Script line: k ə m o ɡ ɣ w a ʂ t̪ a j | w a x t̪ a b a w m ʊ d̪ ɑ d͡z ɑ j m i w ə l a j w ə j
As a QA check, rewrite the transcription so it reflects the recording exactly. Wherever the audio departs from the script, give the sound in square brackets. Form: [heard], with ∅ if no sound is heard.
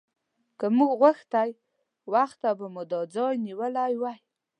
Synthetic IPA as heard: k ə m [u] ɡ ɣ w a [x] t̪ a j | w a x t̪ a b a [∅] m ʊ d̪ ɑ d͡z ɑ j [n] i w ə l a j w [a] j